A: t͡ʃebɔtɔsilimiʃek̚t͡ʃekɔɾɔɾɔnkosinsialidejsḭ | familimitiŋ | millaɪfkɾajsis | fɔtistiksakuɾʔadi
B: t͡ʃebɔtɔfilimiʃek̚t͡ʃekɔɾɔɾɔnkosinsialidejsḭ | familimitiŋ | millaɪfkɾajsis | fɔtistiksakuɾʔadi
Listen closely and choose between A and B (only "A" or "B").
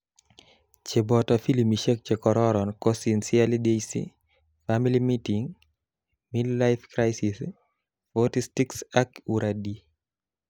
B